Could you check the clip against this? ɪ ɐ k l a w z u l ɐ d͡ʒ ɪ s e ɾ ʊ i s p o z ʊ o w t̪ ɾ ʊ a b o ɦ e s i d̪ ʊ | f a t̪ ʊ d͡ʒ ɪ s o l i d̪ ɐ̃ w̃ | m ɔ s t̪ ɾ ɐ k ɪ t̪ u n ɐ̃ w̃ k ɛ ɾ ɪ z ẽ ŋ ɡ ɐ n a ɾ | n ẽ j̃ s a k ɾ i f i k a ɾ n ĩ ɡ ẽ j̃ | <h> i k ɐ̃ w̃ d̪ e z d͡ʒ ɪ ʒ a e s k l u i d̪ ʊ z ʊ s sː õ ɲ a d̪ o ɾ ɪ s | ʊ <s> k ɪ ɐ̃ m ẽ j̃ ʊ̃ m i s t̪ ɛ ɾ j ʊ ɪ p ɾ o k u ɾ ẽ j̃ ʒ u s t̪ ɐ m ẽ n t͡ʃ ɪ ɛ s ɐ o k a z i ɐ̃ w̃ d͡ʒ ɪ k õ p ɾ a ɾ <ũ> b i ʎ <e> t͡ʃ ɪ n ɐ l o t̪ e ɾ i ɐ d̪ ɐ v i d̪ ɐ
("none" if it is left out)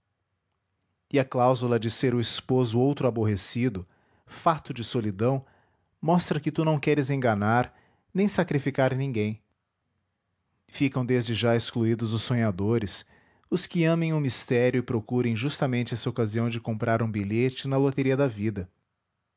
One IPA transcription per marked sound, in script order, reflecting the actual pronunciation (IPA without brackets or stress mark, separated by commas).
f, s, ũ, e